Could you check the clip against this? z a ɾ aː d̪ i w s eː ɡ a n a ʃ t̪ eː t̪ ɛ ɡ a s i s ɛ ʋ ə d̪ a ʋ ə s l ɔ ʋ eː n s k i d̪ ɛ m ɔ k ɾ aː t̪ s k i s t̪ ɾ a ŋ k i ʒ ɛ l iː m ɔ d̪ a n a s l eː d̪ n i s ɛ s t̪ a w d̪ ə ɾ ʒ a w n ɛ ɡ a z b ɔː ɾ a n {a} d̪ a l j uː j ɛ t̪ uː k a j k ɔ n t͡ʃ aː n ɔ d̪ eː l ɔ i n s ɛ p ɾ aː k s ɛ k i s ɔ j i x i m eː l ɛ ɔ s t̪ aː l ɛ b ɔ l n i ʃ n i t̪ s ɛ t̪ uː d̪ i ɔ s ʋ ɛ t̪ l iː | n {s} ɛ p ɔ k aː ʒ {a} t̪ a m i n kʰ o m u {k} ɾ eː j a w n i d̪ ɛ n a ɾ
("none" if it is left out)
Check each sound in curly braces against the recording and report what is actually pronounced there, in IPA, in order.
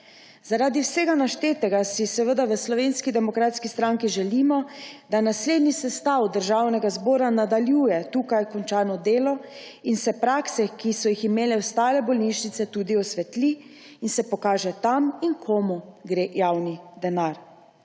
a, s, ɛ, ɡ

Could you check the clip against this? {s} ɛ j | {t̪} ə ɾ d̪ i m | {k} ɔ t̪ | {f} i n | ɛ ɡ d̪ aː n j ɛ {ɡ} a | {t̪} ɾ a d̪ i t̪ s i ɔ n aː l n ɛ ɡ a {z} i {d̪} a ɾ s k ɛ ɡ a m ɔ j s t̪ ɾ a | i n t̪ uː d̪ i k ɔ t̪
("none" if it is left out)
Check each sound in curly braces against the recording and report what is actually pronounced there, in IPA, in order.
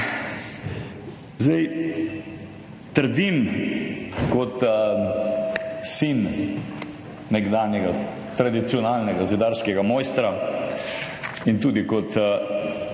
z, t̪, k, s, ɡ, t̪, z, d̪

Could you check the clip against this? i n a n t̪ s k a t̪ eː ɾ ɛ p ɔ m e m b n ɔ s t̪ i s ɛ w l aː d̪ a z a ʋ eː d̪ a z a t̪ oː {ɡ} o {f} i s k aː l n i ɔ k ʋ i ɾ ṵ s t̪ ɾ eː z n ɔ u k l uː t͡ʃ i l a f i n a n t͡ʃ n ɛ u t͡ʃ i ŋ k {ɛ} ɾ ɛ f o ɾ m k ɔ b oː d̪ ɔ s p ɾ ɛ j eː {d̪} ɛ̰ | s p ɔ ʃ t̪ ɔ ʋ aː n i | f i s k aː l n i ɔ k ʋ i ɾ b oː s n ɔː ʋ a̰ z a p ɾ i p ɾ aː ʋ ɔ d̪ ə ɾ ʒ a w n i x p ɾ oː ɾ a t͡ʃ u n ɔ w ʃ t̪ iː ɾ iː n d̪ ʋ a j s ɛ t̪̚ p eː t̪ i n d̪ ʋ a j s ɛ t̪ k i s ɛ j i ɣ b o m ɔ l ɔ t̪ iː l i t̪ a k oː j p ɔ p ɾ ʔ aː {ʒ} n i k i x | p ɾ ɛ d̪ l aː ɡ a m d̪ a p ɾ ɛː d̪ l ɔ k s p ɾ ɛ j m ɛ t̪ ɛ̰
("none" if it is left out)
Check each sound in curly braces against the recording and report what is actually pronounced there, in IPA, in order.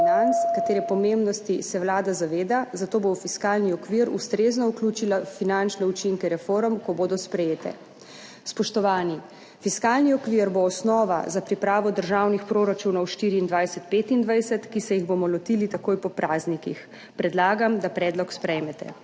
b, f, ɛ, t̪, z

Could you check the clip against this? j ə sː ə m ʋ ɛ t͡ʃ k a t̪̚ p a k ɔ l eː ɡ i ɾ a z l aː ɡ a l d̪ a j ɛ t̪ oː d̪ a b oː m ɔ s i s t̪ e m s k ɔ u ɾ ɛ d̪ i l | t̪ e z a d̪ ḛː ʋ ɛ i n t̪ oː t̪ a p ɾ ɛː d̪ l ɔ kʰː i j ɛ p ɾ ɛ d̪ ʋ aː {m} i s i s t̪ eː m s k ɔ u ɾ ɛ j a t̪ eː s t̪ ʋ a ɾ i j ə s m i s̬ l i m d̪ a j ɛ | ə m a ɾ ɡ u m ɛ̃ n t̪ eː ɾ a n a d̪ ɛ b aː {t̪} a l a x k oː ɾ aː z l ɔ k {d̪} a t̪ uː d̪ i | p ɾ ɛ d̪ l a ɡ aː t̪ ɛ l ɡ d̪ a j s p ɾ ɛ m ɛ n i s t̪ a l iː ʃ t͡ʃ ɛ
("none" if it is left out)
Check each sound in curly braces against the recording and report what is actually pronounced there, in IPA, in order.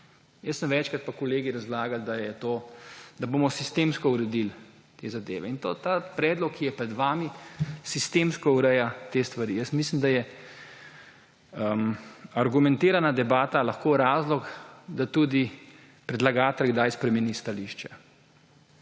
m, t̪, d̪

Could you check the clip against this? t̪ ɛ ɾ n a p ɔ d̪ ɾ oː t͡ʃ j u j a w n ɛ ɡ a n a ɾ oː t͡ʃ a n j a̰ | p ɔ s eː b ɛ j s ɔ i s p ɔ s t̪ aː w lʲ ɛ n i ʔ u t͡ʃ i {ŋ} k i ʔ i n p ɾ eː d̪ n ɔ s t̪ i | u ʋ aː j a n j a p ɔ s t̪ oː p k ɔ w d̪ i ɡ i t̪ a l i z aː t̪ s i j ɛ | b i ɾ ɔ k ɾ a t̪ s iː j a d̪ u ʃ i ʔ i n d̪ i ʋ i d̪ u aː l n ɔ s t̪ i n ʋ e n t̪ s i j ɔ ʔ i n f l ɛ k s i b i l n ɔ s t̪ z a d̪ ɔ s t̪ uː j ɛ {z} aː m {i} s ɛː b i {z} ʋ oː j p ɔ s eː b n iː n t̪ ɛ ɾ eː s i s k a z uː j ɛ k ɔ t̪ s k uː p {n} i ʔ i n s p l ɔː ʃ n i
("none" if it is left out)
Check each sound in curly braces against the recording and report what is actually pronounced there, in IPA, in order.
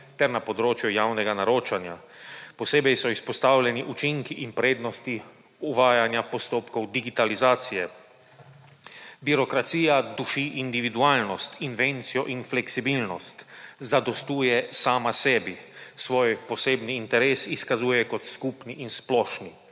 ŋ, s, a, s, n

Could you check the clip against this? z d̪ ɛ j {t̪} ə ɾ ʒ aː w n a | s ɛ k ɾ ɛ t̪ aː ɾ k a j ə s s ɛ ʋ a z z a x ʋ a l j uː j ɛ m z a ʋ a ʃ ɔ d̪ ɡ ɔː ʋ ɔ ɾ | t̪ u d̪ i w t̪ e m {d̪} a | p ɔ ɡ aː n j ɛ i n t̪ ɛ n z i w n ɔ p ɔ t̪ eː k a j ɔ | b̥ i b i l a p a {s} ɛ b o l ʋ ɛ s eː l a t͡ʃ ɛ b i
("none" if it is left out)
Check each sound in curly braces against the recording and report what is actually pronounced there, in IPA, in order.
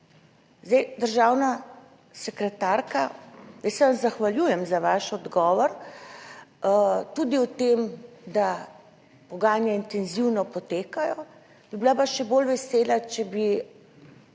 d̪, d̪, ʃ

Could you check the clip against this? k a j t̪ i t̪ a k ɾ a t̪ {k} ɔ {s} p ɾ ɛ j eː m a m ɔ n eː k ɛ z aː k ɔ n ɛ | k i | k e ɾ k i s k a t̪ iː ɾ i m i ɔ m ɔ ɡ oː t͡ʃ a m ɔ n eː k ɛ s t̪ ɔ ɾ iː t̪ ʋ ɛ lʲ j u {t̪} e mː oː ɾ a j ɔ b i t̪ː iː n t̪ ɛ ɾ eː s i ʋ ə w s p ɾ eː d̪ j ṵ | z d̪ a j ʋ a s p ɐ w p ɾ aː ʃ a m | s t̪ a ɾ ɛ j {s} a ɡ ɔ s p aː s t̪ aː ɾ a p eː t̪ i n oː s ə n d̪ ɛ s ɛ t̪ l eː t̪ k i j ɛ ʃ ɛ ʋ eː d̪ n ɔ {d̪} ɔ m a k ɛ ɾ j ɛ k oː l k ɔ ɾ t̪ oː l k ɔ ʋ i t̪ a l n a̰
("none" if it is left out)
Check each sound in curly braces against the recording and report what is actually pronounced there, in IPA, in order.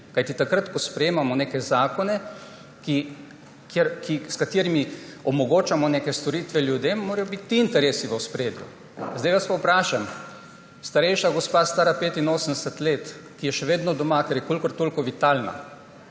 k, s, d̪, ʃ, d̪

